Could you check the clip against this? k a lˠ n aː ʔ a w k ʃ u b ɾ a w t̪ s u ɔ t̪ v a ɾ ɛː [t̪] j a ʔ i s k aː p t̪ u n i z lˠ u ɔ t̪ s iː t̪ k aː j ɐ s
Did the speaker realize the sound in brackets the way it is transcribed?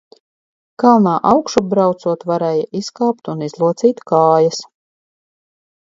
no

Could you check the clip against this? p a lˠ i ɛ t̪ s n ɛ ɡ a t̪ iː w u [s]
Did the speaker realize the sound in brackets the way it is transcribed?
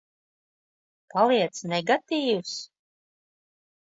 yes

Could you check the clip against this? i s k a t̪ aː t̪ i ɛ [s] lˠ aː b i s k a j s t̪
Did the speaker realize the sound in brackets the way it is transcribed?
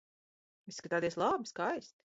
yes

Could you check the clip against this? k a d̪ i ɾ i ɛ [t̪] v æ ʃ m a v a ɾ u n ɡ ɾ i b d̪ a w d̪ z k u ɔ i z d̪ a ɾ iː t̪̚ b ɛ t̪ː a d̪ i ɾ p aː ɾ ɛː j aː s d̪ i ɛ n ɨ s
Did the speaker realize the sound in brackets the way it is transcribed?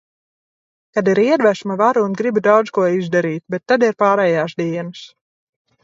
no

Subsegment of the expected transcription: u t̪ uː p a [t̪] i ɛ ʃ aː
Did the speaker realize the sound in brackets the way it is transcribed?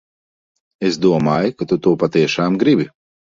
yes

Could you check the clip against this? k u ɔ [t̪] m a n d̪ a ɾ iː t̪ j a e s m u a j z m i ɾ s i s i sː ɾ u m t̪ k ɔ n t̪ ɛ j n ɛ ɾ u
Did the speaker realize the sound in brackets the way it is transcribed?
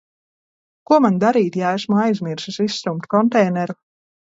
no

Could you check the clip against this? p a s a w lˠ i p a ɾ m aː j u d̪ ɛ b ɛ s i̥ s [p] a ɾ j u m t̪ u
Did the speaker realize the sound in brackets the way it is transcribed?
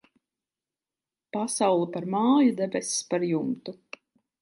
yes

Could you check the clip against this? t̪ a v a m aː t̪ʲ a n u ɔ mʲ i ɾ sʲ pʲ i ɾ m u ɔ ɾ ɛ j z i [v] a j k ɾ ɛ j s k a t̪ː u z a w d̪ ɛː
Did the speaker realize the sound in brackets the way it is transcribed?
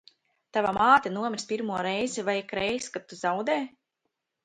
yes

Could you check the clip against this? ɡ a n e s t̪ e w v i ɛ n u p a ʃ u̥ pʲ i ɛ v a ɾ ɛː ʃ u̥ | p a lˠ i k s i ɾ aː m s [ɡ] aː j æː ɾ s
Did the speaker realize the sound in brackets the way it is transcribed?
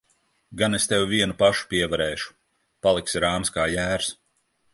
no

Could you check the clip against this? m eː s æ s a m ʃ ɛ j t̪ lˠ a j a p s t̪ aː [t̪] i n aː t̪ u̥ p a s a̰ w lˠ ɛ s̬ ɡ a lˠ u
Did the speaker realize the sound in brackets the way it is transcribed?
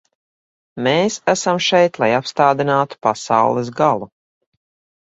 no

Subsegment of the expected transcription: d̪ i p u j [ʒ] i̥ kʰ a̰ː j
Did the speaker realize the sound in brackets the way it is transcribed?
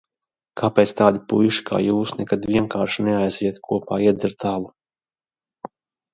no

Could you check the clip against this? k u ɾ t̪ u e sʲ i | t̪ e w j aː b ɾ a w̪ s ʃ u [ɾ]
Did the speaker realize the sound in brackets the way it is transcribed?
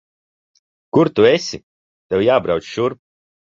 yes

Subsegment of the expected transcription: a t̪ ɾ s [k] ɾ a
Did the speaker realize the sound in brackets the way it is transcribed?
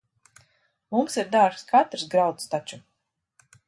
no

